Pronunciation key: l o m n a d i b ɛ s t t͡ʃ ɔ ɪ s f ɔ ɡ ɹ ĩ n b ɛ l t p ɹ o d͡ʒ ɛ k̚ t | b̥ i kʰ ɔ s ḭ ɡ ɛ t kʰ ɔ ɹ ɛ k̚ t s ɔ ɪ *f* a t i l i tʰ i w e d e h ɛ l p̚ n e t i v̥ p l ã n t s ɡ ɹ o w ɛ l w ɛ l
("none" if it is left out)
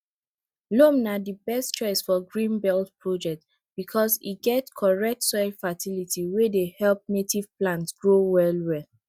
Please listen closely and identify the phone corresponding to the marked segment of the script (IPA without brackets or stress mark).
f